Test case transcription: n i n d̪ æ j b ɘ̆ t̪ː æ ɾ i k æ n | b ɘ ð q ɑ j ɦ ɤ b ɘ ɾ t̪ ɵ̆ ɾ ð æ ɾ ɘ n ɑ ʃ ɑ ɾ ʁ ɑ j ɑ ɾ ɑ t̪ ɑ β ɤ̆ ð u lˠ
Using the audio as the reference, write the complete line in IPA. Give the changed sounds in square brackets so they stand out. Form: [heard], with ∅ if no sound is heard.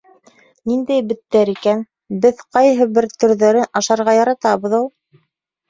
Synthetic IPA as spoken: n i n d̪ æ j b ɘ̆ t̪ː æ ɾ i k æ n | b ɘ ð q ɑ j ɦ ɤ b ɘ ɾ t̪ ɵ̆ ɾ ð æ ɾ ɘ n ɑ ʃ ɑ ɾ ʁ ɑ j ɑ ɾ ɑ t̪ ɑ β ɤ̆ ð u lˠ